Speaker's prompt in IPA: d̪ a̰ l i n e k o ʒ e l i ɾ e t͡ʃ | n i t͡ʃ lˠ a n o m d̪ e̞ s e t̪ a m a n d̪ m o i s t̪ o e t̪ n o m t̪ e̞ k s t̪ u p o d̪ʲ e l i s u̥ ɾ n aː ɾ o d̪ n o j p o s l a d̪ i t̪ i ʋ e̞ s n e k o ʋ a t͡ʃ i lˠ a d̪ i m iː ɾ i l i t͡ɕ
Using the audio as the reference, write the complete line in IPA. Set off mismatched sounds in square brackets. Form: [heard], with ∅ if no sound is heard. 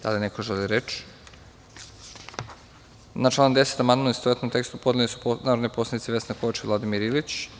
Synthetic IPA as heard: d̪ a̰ l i n e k o ʒ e l i ɾ e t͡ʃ | n [a] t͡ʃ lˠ a n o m d̪ e̞ s e t̪ a m a n d̪ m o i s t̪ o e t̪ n o m t̪ e̞ k s t̪ u p o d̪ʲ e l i s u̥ [∅] n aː ɾ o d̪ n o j p o s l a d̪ i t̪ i ʋ e̞ s n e k o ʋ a t͡ʃ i lˠ a d̪ i m [i] ɾ i l i t͡ɕ

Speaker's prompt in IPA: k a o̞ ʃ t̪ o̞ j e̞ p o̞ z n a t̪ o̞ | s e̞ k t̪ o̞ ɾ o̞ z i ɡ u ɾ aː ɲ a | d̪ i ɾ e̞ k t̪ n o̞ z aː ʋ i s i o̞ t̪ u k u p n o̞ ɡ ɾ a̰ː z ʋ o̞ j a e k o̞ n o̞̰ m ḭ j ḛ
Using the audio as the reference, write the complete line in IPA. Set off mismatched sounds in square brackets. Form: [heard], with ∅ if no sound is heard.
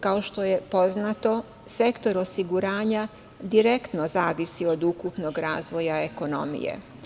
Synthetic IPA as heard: k a o̞ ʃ t̪ o̞ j e̞ p o̞ z n a t̪ o̞ | s e̞ k t̪ o̞ ɾ o̞ [s] i ɡ u ɾ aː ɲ a | d̪ i ɾ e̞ k t̪ n o̞ z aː ʋ i s i o̞ [d̪] u k u p n o̞ ɡ ɾ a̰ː z ʋ o̞ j a e k o̞ n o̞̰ m ḭ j ḛ

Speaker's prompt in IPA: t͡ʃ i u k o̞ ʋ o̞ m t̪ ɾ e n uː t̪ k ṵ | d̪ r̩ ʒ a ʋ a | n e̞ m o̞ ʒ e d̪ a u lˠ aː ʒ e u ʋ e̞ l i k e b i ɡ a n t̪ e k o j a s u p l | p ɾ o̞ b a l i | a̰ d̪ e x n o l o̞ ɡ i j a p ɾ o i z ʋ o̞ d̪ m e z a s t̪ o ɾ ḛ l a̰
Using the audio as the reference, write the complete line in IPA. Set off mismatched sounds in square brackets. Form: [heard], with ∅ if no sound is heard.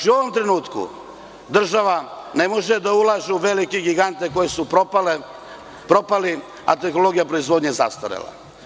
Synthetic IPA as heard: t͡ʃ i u [∅] o̞ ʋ o̞ m t̪ ɾ e n uː t̪ k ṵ | d̪ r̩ ʒ a ʋ a | n e̞ m o̞ ʒ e d̪ a u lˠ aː ʒ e u ʋ e̞ l i k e [ɡ] i ɡ a n t̪ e k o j [e] s u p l | p ɾ o̞ [p] a l i | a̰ [t̪] e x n o l o̞ ɡ i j a p ɾ o i z ʋ o̞ d̪ [ɲ] e z a s t̪ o ɾ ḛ l a̰

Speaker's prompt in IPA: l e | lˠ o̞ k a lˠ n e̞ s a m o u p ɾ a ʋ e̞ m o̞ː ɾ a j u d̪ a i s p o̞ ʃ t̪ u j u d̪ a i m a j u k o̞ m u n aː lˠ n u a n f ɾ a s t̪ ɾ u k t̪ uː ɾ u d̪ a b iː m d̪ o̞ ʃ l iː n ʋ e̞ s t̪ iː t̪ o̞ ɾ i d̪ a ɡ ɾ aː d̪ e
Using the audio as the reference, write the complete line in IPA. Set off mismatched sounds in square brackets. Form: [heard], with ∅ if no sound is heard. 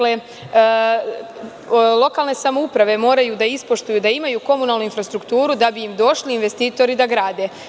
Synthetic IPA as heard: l e | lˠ o̞ k a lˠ n e̞ s a m o u p ɾ a ʋ e̞ m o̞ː ɾ a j u d̪ a i s p o̞ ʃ t̪ u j u d̪ a i m a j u k o̞ m u n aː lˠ n u [i] n f ɾ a s t̪ ɾ u k t̪ uː ɾ u d̪ a b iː m d̪ o̞ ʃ l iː n ʋ e̞ s t̪ iː t̪ o̞ ɾ i d̪ a ɡ ɾ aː d̪ e

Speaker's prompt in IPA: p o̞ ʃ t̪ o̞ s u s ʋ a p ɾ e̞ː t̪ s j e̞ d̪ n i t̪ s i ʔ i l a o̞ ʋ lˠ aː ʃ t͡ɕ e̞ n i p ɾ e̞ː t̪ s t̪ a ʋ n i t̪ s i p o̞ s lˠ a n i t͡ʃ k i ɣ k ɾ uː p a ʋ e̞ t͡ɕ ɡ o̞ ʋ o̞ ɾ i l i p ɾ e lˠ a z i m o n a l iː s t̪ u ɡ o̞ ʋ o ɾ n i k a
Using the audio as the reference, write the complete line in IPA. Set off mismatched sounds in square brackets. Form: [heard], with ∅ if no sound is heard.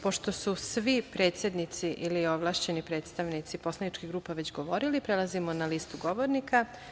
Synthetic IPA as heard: p o̞ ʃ t̪ o̞ s u s ʋ [i] p ɾ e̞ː t̪ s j e̞ d̪ n i t̪ s i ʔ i l [i] o̞ ʋ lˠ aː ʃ t͡ɕ e̞ n i p ɾ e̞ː t̪ s t̪ a ʋ n i t̪ s i p o̞ s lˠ a n i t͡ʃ k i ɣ [ɡ] ɾ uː p a ʋ e̞ t͡ɕ ɡ o̞ ʋ o̞ ɾ i l i p ɾ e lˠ a z i m o n a l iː s t̪ u ɡ o̞ ʋ o ɾ n i k a

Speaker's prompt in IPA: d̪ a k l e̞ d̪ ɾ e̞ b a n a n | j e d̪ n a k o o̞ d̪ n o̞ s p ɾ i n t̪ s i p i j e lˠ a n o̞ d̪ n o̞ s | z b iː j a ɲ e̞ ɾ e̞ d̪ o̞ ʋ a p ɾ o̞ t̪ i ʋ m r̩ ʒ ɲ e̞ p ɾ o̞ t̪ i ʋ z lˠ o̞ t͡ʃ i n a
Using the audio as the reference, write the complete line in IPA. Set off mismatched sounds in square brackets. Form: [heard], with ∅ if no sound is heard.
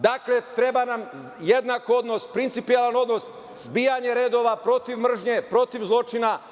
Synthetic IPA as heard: d̪ a k l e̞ [t̪] ɾ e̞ b a n a [m] | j e d̪ n a k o o̞ d̪ n o̞ s p ɾ i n t̪ s i p i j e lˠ a n o̞ d̪ n o̞ s | z b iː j a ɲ e̞ ɾ e̞ d̪ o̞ ʋ a p ɾ o̞ t̪ i ʋ m r̩ ʒ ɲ e̞ p ɾ o̞ t̪ i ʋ z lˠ o̞ t͡ʃ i n a

